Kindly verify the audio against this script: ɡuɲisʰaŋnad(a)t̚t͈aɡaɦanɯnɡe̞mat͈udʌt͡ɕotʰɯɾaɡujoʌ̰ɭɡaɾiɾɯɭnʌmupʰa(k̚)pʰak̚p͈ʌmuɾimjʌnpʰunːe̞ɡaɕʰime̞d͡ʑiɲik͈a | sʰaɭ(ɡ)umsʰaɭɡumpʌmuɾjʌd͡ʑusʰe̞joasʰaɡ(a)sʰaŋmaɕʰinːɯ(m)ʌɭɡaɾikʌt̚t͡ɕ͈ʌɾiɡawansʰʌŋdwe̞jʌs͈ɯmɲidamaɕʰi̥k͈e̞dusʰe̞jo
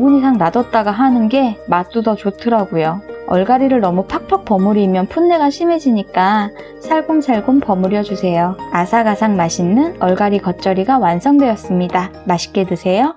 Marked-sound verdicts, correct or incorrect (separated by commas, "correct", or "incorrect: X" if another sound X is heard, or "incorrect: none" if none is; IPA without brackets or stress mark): incorrect: ʌ, correct, correct, correct, incorrect: n